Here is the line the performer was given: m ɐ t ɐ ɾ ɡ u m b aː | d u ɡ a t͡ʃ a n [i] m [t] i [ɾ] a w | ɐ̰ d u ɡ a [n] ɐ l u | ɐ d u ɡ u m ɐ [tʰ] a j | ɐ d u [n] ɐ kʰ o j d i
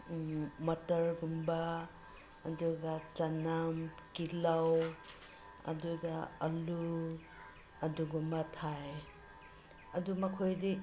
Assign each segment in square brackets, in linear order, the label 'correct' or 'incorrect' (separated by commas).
incorrect, incorrect, incorrect, incorrect, correct, incorrect